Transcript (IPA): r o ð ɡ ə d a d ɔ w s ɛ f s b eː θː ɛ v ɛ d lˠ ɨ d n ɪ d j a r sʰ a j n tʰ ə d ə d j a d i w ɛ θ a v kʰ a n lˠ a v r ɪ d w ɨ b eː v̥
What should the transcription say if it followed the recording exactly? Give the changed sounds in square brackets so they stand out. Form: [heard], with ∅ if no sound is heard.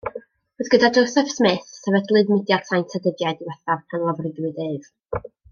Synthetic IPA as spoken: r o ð ɡ ə d a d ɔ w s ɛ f s [m] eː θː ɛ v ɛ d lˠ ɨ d [m] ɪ d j a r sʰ a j n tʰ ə d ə d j a d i w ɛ θ a v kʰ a n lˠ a v r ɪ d w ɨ [d] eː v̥